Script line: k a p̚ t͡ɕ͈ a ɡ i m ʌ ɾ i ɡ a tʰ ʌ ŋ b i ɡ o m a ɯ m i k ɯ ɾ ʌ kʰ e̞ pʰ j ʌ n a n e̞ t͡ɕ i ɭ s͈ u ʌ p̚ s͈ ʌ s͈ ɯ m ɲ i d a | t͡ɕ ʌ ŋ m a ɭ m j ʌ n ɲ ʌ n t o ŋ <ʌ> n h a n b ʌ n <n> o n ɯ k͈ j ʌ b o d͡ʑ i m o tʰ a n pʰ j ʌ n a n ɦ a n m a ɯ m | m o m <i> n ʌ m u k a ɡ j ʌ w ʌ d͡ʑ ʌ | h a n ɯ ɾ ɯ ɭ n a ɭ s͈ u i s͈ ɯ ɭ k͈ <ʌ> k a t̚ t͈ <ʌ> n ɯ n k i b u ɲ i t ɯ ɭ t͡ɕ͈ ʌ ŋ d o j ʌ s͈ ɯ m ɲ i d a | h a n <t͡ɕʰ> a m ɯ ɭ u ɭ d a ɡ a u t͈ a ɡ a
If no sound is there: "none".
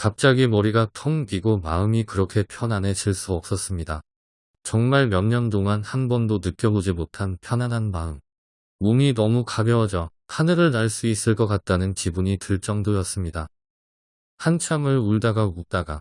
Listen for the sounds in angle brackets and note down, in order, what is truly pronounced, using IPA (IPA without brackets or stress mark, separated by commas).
a, d, i, ʌ, a, t͡ɕʰ